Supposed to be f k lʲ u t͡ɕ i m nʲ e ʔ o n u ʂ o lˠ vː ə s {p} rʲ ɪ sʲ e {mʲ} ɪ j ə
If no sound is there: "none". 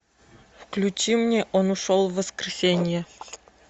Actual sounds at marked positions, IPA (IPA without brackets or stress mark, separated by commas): k, nʲ